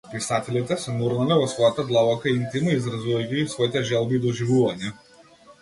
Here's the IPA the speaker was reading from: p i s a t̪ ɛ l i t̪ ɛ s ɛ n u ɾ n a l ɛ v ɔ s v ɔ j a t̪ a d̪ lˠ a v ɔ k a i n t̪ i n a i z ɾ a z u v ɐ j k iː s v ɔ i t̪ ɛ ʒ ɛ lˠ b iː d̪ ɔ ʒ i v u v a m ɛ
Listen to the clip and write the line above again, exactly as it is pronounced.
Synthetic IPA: p i s a t̪ ɛ l i t̪ ɛ s ɛ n u ɾ n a l ɛ v ɔ s v ɔ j a t̪ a d̪ lˠ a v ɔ k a i n t̪ i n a i z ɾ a z u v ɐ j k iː s v ɔ i t̪ ɛ ʒ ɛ lˠ b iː d̪ ɔ ʒ i v u v a ɲ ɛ